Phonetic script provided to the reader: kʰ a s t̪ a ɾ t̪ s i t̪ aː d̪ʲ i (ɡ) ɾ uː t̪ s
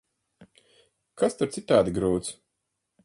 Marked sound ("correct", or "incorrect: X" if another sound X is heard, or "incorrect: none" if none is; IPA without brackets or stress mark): correct